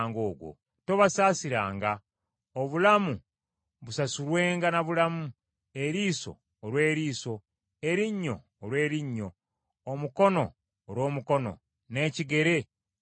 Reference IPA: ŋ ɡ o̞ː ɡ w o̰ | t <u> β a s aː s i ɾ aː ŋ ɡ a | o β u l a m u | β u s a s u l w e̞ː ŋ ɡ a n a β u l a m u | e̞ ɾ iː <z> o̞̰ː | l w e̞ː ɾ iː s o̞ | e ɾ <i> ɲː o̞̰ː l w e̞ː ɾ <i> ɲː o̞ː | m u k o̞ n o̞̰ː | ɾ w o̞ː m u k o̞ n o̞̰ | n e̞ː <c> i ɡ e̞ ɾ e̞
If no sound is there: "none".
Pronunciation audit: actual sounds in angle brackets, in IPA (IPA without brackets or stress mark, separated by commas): o, s, i, i, c